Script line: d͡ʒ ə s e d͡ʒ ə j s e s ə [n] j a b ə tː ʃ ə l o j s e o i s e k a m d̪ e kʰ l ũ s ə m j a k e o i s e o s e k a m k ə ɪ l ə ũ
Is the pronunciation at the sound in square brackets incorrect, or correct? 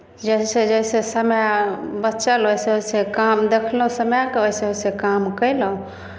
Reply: incorrect